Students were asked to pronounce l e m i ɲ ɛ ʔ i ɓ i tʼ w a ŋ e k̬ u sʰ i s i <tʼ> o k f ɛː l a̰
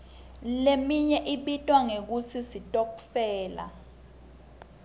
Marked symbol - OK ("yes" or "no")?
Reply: yes